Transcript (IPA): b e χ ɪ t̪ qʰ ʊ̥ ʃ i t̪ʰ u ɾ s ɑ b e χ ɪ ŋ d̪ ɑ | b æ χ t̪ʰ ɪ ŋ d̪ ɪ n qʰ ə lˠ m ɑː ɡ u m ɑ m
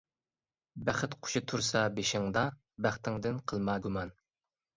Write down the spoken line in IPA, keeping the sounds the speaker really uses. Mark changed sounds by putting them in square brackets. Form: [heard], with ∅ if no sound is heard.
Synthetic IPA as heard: b [æ] χ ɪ t̪ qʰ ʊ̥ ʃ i t̪ʰ u ɾ s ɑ b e [ʃ] ɪ ŋ d̪ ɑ | b æ χ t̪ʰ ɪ ŋ d̪ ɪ n qʰ ə lˠ m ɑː ɡ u m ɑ [n]